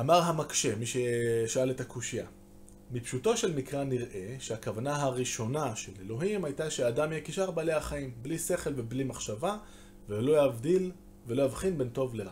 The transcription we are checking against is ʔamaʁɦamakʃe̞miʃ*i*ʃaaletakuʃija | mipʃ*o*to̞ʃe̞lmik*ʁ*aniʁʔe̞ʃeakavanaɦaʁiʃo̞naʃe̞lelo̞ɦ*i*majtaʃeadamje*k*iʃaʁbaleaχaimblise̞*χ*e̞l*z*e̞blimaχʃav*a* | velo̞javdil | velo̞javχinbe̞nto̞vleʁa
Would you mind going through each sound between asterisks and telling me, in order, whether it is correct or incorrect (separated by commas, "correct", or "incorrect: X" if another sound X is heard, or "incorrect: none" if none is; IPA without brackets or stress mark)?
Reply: incorrect: e, incorrect: u, correct, correct, correct, correct, incorrect: v, correct